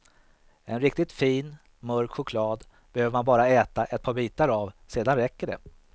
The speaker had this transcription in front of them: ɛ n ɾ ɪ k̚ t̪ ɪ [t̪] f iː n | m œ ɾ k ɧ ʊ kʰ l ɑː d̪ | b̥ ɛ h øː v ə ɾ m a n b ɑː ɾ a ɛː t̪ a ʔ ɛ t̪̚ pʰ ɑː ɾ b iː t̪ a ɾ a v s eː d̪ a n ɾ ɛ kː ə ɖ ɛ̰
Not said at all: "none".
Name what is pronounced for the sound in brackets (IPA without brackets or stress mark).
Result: t̪